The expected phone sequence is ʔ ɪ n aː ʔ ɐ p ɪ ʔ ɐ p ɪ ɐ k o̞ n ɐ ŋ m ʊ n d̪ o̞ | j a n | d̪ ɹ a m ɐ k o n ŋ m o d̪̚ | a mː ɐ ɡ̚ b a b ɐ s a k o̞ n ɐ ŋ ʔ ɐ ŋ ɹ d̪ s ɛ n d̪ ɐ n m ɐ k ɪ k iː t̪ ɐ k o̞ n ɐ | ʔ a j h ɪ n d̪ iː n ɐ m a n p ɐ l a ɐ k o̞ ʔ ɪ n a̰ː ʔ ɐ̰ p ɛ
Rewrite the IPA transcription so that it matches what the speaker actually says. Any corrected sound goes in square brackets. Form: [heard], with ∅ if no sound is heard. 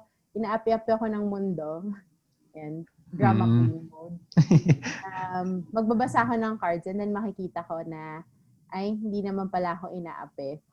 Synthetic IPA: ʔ ɪ n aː ʔ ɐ p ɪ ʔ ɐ p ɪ ɐ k o̞ n ɐ ŋ m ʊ n d̪ o̞ | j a n | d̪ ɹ a m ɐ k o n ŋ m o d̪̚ | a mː ɐ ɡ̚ b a b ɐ s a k o̞ n ɐ ŋ [k] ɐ [∅] ɹ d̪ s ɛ n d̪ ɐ n m ɐ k ɪ k iː t̪ ɐ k o̞ n ɐ | ʔ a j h ɪ n d̪ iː n ɐ m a n p ɐ l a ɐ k o̞ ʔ ɪ n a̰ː ʔ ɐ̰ p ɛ